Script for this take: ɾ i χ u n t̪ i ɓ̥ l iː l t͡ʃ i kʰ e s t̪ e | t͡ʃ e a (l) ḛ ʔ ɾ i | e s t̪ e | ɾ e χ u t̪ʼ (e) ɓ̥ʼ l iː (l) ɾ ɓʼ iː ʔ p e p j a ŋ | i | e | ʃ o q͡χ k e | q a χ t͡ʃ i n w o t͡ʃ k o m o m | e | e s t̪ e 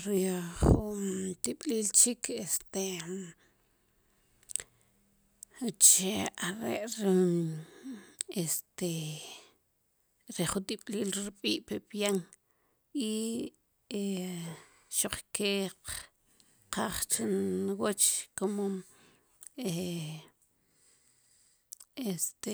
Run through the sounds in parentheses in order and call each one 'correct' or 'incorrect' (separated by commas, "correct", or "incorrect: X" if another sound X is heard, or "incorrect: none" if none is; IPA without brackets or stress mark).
incorrect: ɾ, incorrect: i, correct